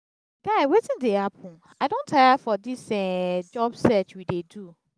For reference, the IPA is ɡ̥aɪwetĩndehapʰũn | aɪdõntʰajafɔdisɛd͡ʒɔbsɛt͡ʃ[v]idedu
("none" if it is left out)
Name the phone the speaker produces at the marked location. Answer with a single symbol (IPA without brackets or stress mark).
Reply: w